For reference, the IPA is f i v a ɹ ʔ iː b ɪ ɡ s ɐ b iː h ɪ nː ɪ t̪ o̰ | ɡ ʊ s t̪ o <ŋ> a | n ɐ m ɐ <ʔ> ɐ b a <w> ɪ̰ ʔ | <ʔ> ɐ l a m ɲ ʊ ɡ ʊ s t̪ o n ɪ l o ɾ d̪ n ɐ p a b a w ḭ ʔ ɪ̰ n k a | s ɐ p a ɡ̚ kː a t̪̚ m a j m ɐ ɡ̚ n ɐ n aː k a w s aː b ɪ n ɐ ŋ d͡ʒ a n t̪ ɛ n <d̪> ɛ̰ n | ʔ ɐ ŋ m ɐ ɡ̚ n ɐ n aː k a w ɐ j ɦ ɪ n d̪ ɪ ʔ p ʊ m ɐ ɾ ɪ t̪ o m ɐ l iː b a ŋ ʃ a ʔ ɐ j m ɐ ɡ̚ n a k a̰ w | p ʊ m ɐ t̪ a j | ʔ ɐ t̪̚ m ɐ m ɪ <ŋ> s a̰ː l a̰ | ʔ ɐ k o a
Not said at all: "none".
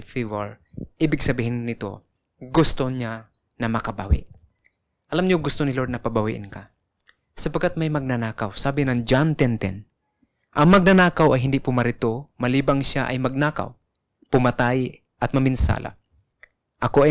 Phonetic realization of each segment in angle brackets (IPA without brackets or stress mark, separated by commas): ɲ, k, w, ʔ, t̪, n